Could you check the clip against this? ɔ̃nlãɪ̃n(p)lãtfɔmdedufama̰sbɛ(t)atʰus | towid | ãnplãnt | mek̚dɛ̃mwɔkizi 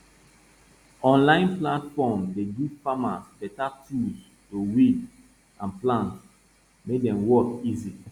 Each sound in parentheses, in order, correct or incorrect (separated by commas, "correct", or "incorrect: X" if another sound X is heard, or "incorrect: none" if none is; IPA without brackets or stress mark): correct, correct